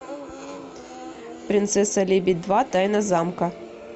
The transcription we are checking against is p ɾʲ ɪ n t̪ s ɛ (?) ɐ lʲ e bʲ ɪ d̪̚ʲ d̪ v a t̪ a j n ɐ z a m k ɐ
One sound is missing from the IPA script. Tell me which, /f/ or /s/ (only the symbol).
s